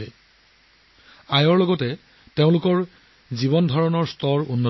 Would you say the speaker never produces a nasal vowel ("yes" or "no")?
no